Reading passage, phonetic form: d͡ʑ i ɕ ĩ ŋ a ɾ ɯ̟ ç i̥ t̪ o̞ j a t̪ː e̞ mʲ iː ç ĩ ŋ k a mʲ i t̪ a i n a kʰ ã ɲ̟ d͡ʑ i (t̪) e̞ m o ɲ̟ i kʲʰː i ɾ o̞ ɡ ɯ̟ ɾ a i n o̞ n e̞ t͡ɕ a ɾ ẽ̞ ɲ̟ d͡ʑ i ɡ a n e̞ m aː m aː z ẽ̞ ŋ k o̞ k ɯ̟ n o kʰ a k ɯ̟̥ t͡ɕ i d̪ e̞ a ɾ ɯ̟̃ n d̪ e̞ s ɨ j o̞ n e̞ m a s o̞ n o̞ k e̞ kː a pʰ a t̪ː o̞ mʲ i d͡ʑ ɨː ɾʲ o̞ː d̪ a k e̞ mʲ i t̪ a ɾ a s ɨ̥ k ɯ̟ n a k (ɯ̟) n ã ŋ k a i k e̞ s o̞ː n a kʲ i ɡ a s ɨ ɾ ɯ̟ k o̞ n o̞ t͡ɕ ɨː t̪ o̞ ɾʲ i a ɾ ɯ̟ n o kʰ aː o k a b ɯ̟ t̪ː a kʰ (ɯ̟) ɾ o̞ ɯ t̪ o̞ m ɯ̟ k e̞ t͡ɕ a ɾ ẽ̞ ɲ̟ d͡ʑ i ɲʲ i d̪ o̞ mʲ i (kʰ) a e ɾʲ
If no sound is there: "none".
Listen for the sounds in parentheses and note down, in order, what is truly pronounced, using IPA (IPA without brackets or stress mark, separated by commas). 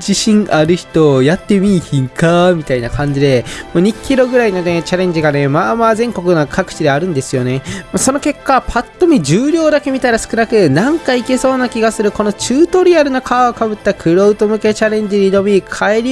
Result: d̪, ɯ̟, ɯ̟, kʰ